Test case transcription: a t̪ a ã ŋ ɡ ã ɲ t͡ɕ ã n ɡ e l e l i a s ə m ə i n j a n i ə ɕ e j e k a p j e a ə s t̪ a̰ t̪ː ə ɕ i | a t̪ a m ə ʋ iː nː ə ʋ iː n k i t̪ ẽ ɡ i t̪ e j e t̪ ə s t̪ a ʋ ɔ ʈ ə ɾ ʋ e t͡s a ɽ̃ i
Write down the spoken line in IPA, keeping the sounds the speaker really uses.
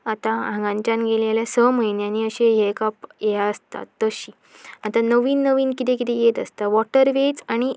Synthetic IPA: a t̪ a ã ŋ ɡ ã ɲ t͡ɕ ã n ɡ e l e l j a s ə m ə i n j a n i ə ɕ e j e k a p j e a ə s t̪ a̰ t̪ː ə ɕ i | a t̪ a n ə ʋ iː nː ə ʋ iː n k i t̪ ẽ k i t̪ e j e t̪ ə s t̪ a ʋ ɔ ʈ ə ɾ ʋ e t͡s a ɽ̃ i